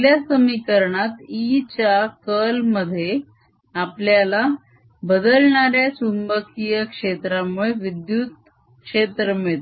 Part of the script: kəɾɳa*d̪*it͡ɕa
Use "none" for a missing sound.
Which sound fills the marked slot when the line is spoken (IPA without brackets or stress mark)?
t̪